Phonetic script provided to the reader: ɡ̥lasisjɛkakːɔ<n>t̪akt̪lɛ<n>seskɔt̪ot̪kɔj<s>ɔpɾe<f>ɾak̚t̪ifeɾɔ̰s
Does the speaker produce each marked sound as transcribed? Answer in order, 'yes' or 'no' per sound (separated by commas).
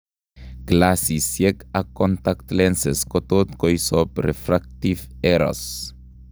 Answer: yes, yes, yes, yes